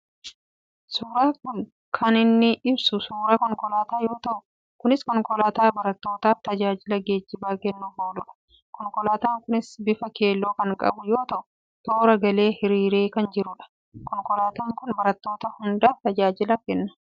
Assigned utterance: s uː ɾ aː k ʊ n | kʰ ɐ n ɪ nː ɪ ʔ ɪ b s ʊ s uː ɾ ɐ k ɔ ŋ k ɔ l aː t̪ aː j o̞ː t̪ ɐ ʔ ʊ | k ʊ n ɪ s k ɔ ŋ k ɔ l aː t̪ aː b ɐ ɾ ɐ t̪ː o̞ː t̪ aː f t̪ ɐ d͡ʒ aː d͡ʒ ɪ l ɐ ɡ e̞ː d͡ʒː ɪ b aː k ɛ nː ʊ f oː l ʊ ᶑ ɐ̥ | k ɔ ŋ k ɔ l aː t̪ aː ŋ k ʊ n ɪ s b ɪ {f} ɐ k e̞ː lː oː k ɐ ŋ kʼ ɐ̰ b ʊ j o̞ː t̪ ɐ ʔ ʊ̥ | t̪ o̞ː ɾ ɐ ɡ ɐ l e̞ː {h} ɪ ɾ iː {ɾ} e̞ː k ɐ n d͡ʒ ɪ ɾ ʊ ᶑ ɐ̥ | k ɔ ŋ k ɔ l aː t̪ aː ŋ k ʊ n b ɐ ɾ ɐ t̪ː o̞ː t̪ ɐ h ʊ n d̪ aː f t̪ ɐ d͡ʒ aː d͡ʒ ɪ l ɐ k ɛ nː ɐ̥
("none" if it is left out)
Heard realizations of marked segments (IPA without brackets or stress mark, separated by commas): f, h, ɾ